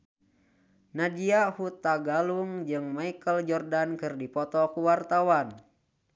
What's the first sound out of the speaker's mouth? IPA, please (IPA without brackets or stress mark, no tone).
n